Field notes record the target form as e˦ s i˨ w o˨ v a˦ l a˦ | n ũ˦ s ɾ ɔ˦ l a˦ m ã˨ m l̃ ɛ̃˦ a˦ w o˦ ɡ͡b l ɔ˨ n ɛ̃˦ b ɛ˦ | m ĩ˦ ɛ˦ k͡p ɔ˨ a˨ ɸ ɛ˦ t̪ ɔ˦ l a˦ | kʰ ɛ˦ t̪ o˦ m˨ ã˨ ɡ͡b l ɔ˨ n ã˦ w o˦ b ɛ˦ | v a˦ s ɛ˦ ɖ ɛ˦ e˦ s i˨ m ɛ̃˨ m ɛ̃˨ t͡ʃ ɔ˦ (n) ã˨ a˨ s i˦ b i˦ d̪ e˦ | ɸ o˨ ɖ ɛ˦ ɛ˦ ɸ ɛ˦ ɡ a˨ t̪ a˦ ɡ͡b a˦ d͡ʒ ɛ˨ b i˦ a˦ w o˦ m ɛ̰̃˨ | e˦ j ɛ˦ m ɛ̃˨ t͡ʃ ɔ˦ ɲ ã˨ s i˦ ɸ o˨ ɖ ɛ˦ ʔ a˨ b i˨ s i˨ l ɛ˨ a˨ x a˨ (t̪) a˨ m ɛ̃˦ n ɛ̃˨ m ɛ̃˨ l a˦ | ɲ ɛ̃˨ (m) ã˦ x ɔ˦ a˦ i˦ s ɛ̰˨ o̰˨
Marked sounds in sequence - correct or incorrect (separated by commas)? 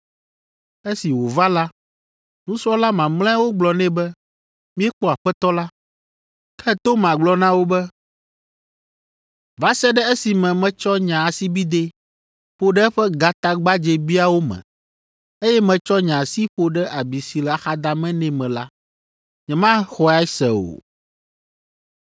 incorrect, incorrect, correct